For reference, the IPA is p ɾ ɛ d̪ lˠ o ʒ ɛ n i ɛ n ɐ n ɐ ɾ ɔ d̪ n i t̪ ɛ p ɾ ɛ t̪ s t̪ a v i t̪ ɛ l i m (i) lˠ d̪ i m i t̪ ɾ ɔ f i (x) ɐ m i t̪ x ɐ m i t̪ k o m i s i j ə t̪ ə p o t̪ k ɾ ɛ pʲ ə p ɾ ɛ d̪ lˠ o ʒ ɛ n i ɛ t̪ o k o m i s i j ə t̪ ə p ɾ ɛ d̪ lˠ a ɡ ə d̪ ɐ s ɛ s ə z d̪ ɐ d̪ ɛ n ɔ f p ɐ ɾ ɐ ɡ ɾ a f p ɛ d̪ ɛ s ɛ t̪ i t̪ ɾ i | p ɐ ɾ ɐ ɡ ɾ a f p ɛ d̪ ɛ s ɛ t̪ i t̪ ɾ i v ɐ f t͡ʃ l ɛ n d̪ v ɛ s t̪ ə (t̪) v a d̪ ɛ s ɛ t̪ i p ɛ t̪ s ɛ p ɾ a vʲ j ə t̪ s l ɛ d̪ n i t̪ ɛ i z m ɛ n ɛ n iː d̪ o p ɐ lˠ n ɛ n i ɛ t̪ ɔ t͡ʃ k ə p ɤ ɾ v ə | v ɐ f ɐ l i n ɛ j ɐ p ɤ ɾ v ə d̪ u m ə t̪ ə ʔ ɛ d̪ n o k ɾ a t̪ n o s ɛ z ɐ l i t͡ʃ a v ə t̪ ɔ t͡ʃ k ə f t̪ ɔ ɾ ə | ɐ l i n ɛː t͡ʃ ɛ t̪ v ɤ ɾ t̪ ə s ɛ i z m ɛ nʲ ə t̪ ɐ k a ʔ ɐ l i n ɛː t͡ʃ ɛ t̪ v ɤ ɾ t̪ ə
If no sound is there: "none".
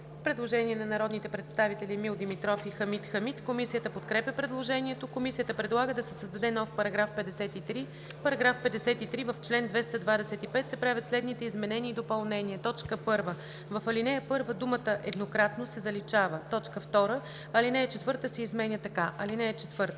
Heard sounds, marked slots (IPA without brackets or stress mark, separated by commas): i, x, d̪